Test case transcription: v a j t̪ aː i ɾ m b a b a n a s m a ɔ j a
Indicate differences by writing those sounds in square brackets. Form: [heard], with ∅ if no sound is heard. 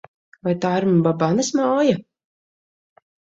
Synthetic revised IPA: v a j t̪ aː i ɾ m b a b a n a s m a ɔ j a